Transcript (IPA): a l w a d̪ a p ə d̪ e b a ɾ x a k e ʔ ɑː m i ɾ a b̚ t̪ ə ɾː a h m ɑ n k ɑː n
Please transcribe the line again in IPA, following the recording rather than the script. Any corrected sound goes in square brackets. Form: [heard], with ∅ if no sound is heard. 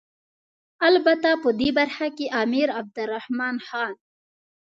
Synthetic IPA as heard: a l [b] a [t̪] a p ə d̪ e b a ɾ x a k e ʔ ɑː m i ɾ a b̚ [d̪] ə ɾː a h m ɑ n [x] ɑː n